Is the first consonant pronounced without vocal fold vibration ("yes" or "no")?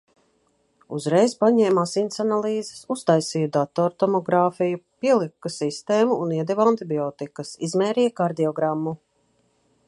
no